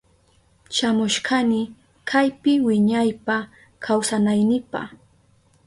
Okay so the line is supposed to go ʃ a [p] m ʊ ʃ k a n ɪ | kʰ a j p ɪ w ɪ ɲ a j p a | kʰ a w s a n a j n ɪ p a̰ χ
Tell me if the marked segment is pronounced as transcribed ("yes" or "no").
no